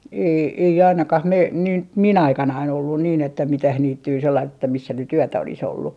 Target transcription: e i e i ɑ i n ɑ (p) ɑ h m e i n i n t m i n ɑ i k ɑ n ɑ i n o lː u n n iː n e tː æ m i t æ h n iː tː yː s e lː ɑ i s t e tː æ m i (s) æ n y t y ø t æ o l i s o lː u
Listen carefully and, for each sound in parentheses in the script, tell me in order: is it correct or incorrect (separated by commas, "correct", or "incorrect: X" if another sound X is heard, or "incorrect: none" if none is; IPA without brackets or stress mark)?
incorrect: k, incorrect: sː